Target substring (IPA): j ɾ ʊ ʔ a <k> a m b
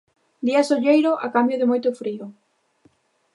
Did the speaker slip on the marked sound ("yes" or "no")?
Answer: no